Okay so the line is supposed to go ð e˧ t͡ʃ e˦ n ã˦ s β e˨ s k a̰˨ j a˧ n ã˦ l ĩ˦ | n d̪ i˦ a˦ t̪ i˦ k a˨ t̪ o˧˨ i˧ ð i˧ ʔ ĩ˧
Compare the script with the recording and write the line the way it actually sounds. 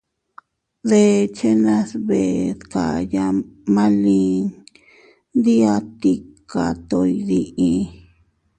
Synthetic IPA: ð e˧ t͡ʃ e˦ n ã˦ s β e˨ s k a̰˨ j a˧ m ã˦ l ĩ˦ | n d̪ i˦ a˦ t̪ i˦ k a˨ t̪ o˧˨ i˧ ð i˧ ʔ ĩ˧